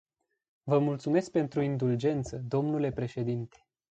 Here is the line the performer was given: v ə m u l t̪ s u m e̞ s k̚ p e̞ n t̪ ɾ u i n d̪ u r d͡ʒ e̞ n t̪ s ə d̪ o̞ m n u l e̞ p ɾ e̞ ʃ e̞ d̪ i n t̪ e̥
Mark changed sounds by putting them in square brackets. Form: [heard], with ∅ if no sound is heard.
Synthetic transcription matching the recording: v ə m u l t̪ s u m e̞ s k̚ p e̞ n t̪ ɾ u i n d̪ u [l] d͡ʒ e̞ n t̪ s ə d̪ o̞ m n u l e̞ p ɾ e̞ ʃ e̞ d̪ i n t̪ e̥